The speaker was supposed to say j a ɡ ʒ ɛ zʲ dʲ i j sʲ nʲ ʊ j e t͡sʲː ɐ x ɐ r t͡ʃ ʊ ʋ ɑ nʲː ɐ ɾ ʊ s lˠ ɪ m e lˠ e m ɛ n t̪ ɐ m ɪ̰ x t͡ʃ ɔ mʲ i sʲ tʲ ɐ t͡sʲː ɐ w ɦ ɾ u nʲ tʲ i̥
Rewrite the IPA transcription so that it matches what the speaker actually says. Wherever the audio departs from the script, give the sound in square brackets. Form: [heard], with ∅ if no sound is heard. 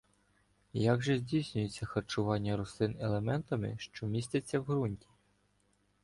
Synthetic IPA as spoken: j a ɡ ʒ ɛ zʲ dʲ i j sʲ nʲ ʊ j e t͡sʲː ɐ x ɐ r t͡ʃ ʊ ʋ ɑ nʲː ɐ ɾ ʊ s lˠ ɪ [n] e lˠ e m ɛ n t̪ ɐ m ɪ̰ [ʃ] t͡ʃ ɔ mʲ i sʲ tʲ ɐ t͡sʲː ɐ w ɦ ɾ u nʲ tʲ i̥